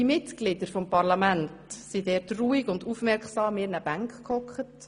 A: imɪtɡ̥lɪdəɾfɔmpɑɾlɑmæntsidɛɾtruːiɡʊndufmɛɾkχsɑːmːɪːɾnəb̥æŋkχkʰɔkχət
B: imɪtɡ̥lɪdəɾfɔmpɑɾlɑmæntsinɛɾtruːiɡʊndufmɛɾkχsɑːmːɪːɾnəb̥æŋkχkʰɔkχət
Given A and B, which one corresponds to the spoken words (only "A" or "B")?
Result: A